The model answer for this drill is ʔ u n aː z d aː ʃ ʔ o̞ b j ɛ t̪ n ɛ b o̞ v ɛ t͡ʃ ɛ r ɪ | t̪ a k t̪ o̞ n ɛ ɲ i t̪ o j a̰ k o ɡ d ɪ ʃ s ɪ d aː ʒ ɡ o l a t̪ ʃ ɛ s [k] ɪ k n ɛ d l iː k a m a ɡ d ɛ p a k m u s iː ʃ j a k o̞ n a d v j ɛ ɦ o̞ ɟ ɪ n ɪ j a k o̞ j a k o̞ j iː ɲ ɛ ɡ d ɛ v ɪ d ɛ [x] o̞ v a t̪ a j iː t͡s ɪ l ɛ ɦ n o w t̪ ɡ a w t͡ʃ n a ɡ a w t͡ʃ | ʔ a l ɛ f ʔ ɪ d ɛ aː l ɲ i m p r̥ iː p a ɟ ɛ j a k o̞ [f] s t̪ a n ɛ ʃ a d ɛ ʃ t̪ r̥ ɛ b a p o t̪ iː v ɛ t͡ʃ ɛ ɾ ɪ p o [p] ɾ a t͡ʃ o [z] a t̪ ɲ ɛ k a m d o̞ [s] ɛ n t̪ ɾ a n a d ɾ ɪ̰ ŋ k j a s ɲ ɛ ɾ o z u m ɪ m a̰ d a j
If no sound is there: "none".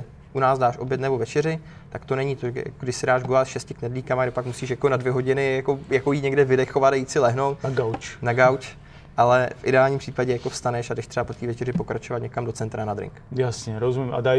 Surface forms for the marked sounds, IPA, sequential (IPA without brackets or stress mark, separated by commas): c, x, f, k, v, t͡s